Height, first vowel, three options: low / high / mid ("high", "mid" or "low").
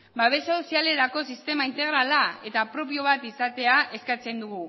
low